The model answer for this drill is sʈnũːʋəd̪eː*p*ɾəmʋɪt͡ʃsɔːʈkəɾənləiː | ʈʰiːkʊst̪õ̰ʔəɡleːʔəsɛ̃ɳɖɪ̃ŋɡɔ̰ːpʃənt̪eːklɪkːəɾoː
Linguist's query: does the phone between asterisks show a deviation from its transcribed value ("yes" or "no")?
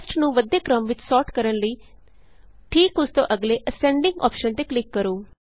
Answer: yes